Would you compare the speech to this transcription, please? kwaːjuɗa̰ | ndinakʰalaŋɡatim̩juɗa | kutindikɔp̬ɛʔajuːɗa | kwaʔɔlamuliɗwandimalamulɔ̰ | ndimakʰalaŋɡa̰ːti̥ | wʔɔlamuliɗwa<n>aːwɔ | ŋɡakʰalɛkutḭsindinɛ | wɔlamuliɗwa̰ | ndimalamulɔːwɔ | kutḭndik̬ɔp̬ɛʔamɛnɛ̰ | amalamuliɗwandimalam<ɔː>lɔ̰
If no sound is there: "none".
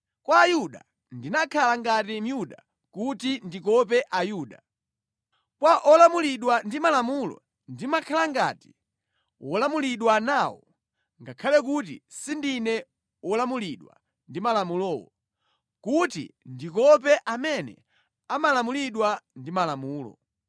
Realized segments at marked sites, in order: n, uː

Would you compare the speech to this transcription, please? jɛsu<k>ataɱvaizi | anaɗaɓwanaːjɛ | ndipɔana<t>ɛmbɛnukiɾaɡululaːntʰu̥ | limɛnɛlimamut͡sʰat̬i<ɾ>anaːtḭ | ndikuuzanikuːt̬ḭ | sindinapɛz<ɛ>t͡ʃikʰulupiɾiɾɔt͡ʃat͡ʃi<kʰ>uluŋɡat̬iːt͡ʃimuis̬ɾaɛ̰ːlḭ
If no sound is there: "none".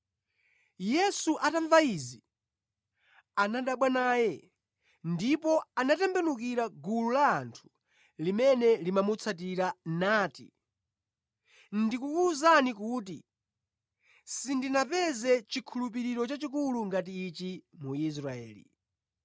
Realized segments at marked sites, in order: ʔ, t, ɾ, ɛ, k

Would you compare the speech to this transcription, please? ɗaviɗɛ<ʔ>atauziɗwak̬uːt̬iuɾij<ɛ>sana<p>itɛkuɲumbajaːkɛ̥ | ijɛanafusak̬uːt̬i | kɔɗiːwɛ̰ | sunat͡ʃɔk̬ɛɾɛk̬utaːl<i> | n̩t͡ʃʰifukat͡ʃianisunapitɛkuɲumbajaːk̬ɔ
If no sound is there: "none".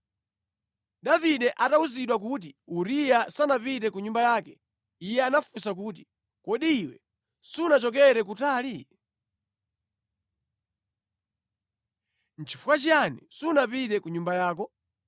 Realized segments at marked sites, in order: ʔ, a, p, i

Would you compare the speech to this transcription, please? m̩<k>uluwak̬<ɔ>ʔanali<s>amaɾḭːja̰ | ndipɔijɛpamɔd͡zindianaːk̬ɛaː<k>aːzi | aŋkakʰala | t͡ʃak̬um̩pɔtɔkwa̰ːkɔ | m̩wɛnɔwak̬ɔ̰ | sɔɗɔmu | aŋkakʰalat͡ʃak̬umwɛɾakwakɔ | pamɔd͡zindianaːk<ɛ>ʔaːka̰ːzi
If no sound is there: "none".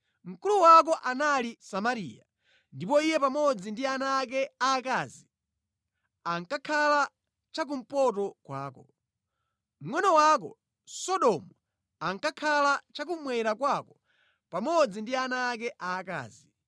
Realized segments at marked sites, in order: k, ɔ, s, k, ɛ

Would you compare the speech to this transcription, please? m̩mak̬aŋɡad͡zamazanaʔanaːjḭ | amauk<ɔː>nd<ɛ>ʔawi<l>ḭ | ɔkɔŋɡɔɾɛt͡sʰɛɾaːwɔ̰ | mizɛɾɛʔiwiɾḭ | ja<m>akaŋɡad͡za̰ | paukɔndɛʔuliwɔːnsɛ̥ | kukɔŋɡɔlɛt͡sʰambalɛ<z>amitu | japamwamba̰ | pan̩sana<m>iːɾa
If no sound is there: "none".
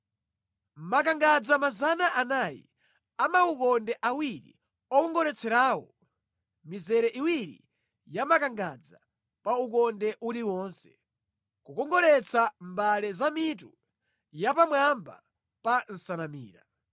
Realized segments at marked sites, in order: ɔ, ɛ, ɾ, m, z, m

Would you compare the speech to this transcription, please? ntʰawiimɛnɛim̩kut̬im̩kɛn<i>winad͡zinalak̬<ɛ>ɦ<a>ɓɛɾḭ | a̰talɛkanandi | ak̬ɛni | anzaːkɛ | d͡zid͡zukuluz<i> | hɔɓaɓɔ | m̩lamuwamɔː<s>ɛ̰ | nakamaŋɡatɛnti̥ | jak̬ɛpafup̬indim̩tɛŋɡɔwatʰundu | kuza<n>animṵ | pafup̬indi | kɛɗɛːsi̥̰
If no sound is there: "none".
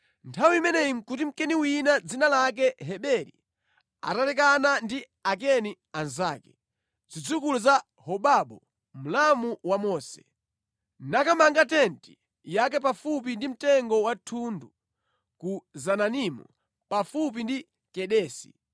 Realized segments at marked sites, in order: i, ɛ, ɛ, a, s, n

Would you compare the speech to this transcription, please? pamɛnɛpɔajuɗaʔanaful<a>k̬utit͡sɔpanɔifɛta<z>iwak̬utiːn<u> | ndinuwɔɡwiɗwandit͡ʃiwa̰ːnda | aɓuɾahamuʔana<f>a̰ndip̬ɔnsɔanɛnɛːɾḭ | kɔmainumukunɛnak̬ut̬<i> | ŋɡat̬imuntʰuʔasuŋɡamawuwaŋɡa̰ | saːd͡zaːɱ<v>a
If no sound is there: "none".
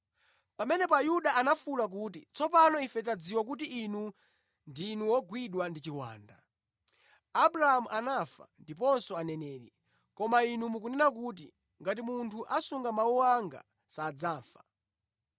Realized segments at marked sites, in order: a, d͡z, u, f, i, f

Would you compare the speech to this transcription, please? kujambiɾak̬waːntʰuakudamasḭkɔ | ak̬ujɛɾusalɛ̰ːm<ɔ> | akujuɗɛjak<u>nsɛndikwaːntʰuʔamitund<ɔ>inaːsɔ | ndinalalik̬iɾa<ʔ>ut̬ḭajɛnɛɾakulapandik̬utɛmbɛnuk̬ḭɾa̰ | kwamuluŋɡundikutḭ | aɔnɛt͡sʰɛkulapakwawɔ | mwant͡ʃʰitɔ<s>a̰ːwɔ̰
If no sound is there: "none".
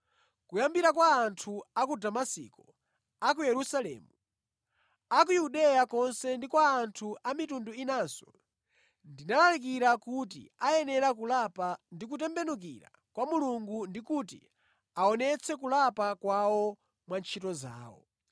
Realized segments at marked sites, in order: u, ɔ, u, k, z

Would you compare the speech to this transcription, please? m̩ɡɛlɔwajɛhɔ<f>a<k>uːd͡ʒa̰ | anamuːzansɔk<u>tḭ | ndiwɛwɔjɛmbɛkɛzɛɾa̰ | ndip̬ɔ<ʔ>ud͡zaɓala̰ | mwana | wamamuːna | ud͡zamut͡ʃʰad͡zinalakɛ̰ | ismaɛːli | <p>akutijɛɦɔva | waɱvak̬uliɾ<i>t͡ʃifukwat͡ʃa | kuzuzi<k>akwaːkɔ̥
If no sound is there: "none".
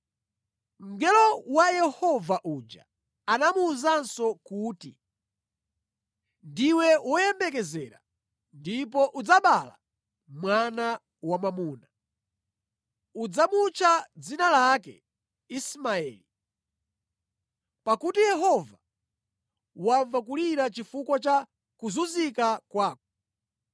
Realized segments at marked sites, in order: v, ʔ, uː, ʔ, p, a, k

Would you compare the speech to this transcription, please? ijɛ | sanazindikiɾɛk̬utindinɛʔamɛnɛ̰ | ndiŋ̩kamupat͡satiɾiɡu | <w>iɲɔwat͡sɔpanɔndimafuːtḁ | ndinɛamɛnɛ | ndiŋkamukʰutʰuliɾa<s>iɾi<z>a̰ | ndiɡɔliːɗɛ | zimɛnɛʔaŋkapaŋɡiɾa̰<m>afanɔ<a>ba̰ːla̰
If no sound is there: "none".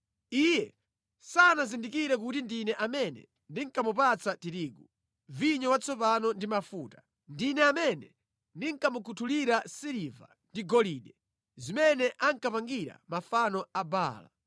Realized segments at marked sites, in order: v, s, v, m, a

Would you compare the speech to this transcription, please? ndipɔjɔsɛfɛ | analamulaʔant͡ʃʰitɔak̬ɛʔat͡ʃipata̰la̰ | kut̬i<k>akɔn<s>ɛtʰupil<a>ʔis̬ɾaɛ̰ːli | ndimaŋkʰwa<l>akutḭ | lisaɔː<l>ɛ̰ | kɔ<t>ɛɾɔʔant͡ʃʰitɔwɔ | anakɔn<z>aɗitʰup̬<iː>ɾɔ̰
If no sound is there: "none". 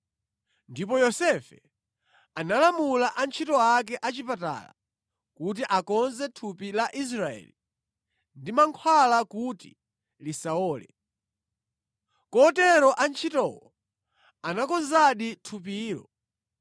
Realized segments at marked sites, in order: ʔ, z, a, l, l, t, z, iː

